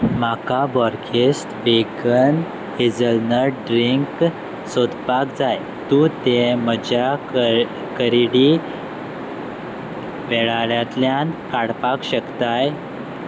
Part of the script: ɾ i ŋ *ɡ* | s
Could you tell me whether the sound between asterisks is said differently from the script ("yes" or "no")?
yes